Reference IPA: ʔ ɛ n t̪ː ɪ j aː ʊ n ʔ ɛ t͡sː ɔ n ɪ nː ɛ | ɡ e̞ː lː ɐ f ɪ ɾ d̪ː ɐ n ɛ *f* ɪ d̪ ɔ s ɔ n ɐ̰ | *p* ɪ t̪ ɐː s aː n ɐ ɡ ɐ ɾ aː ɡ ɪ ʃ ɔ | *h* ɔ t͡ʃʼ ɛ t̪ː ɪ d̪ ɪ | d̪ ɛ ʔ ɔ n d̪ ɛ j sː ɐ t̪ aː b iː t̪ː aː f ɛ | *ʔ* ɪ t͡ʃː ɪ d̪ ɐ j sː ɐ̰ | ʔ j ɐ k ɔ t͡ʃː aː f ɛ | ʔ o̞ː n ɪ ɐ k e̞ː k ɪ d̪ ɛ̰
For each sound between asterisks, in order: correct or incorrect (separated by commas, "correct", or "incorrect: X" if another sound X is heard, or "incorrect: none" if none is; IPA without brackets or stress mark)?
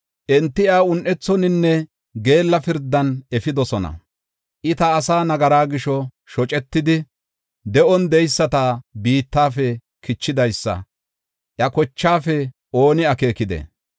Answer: correct, incorrect: ʔ, incorrect: ʃ, incorrect: k